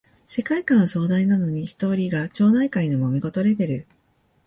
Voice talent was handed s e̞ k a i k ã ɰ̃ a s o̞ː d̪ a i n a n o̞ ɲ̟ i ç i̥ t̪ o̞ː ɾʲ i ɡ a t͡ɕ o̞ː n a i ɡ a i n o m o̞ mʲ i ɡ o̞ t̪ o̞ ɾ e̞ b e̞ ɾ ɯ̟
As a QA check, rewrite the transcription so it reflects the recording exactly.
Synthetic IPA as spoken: s e̞ k a i k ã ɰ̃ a s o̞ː d̪ a i n a n o̞ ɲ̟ i ç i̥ t̪ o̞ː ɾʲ i ɡ a t͡ɕ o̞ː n a i k a i n o m o̞ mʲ i ɡ o̞ t̪ o̞ ɾ e̞ b e̞ ɾ ɯ̟